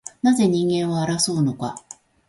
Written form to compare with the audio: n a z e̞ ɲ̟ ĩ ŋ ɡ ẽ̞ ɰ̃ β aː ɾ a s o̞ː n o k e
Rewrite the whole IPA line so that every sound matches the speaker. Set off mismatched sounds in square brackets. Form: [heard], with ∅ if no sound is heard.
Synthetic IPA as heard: n a z e̞ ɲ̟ ĩ ŋ ɡ ẽ̞ ɰ̃ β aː ɾ a s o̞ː n o k [a]